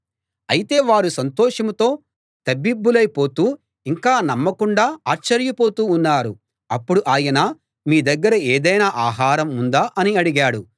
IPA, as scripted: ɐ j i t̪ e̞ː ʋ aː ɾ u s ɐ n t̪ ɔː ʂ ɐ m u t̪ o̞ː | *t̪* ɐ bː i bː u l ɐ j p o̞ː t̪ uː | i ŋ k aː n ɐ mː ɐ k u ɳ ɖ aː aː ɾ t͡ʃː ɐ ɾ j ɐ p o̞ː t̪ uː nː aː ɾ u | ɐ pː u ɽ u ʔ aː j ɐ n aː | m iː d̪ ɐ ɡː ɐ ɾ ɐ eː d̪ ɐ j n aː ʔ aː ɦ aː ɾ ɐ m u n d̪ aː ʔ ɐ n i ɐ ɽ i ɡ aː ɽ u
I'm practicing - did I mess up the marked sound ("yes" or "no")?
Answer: no